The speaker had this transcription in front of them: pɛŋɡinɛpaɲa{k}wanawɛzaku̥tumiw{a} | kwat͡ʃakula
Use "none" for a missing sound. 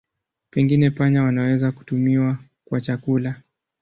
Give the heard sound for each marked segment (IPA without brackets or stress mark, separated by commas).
none, a